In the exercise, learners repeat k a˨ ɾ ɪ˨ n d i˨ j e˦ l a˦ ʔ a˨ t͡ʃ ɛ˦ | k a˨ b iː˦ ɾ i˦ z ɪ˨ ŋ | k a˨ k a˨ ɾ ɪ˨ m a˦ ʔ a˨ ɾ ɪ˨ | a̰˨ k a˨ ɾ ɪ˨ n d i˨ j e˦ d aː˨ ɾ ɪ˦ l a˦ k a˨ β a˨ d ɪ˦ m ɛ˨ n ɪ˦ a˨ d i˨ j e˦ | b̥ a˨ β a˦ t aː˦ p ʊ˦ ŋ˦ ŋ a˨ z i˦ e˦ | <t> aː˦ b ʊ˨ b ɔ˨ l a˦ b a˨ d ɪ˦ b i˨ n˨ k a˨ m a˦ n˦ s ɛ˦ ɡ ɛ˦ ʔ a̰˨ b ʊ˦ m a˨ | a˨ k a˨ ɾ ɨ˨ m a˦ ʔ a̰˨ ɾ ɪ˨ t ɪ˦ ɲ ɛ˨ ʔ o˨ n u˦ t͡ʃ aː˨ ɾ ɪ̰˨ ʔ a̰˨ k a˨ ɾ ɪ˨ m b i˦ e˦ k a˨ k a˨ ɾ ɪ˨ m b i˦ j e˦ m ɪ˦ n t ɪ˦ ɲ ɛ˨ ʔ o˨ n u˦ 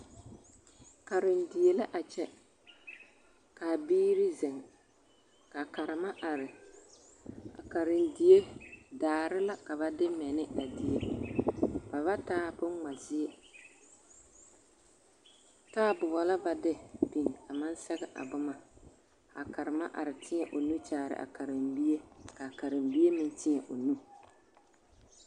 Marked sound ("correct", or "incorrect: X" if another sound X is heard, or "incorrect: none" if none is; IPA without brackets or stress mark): correct